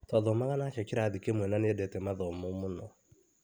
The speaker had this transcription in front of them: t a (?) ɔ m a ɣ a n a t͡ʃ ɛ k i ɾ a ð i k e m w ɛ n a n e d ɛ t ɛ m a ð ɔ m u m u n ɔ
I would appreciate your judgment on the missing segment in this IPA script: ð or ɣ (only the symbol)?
ð